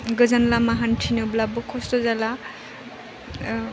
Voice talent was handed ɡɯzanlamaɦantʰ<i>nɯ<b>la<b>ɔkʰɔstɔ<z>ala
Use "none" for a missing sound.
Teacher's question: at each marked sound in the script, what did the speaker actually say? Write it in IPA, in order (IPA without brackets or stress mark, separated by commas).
i, b, b, z